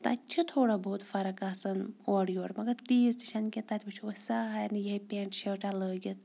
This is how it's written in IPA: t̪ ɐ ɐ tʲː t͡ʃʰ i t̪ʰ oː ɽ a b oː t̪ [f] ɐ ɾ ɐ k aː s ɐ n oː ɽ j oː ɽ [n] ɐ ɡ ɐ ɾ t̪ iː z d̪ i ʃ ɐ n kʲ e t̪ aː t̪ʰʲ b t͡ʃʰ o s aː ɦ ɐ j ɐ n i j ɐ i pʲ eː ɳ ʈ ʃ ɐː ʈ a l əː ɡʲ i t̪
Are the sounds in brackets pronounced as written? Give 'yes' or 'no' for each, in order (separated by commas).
yes, no